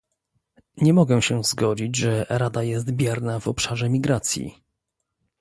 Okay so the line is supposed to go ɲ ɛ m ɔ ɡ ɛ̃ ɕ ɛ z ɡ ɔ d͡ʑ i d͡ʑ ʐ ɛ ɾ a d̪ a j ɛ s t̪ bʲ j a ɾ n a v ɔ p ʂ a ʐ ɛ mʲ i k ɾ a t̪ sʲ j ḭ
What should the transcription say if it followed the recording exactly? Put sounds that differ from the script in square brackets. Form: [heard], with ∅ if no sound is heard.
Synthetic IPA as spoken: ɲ ɛ m ɔ ɡ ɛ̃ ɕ ɛ z ɡ ɔ d͡ʑ i d͡ʑ ʐ ɛ ɾ a d̪ a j ɛ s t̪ bʲ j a ɾ n a v ɔ p ʂ a ʐ ɛ mʲ i [ɡ] ɾ a t̪ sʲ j ḭ